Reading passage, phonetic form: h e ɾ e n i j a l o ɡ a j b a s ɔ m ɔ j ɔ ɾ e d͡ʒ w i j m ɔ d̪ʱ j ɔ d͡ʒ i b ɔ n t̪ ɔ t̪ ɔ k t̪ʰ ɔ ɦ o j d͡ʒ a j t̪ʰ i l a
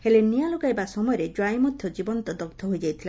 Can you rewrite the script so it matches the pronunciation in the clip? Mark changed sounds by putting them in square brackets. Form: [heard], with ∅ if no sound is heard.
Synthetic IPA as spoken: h e [l] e n i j a l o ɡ a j b a s ɔ m ɔ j ɔ ɾ e d͡ʒ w [a] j m ɔ d̪ʱ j ɔ d͡ʒ i b ɔ n t̪ ɔ [d̪] ɔ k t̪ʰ ɔ ɦ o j d͡ʒ a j t̪ʰ i l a